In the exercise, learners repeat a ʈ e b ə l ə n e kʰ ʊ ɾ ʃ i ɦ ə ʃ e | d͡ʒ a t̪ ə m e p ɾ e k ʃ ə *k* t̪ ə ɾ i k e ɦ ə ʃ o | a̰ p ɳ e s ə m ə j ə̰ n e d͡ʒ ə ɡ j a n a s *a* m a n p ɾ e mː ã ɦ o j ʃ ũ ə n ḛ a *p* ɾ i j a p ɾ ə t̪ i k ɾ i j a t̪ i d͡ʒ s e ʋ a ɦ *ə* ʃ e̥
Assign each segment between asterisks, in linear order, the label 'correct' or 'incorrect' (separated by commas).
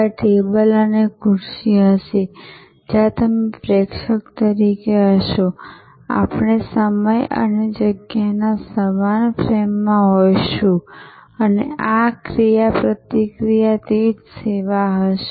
correct, incorrect, incorrect, correct